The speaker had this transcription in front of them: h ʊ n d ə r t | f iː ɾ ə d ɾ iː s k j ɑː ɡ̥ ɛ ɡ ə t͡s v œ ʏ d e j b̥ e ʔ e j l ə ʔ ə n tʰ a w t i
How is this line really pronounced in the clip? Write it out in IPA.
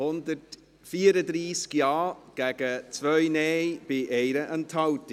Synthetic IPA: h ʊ n d ə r t | f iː ɾ ə d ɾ iː s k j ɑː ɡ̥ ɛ ɡ ə t͡s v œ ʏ n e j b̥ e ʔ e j ɾ ə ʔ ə n tʰ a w t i